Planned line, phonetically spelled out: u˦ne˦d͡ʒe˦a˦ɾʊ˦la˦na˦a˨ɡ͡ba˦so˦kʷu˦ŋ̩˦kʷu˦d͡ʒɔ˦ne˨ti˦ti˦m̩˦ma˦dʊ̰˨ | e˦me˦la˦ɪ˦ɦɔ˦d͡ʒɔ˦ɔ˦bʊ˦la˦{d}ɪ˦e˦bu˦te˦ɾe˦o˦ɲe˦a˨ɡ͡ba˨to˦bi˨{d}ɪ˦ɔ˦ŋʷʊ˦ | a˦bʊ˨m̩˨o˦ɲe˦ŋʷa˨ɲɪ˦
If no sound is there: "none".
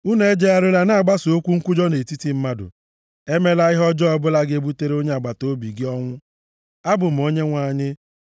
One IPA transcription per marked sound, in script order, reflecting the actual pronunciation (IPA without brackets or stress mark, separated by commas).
ɡ, ɡ